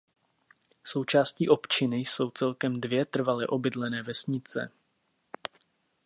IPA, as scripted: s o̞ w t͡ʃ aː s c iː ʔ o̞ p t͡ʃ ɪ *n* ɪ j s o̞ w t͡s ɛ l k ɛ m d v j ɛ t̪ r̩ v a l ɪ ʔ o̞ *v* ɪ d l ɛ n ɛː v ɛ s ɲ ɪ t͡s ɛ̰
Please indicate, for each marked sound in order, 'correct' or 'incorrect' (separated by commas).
correct, incorrect